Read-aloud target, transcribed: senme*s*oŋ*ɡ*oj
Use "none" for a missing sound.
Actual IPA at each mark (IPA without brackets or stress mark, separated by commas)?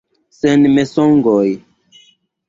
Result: s, ɡ